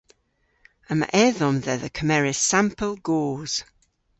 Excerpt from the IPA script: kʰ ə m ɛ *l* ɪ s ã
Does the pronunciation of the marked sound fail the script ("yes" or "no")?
yes